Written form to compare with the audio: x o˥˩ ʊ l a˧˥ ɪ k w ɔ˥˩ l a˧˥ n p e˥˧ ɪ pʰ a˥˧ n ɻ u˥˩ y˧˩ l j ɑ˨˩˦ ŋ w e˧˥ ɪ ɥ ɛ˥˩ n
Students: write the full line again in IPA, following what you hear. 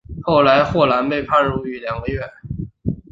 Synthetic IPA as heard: x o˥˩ ʊ l a˧˥ ɪ x w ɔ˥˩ l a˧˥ n p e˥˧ ɪ pʰ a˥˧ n ɻ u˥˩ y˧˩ l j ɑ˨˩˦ ŋ w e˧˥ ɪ ɥ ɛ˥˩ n